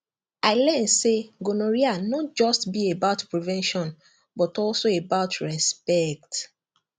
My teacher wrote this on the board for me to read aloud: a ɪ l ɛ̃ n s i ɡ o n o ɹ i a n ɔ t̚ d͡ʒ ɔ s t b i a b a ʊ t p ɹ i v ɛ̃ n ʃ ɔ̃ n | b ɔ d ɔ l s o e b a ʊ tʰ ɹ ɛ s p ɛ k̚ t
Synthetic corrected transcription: a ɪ l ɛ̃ n s e ɡ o n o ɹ i a n ɔ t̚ d͡ʒ ɔ s t b i e b a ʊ t p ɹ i v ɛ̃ n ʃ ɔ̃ n | b ɔ t ɔ l s o e b a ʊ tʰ ɹ ɛ s p ɛ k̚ t